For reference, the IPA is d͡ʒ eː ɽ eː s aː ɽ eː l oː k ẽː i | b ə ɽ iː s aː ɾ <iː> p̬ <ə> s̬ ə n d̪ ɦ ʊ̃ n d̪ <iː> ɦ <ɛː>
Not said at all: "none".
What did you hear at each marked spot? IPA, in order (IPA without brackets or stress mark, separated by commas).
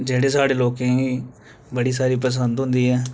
iː, ə, iː, ɛː